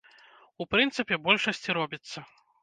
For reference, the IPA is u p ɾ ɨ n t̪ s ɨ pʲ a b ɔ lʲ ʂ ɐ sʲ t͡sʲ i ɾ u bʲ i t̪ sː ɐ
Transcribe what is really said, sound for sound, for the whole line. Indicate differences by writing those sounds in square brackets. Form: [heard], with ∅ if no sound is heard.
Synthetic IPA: u p ɾ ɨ n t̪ s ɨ pʲ [ɛ] b ɔ lʲ ʂ ɐ sʲ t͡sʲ i ɾ [ɔ] bʲ i t̪ sː ɐ